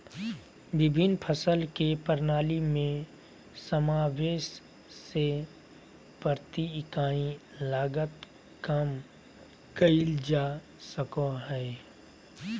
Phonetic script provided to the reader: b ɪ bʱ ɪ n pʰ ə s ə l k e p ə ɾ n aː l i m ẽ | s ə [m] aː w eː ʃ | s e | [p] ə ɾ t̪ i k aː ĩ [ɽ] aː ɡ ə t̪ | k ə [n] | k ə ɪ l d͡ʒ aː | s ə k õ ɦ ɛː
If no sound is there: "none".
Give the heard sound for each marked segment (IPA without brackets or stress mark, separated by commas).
m, p, l, m